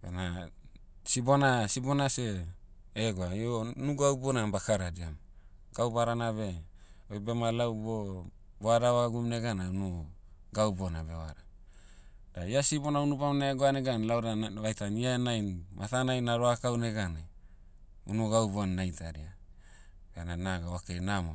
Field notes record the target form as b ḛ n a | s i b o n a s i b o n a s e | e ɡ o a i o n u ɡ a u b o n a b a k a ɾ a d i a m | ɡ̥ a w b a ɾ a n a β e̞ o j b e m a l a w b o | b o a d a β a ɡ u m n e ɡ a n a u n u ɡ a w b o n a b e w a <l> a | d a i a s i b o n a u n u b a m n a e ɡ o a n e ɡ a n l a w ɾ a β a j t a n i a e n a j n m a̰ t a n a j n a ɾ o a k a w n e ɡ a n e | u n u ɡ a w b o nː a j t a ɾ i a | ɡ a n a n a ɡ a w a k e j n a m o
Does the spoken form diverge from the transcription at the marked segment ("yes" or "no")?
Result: yes